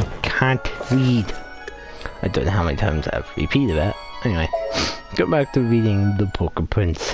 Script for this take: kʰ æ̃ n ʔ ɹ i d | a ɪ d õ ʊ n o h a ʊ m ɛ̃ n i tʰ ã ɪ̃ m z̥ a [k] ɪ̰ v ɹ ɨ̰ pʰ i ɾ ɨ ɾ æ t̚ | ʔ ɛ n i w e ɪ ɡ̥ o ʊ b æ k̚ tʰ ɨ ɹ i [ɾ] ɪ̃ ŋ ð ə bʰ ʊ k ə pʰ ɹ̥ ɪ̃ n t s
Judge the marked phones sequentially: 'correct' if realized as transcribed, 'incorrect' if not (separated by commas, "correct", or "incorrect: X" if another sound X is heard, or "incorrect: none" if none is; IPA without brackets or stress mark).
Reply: incorrect: none, correct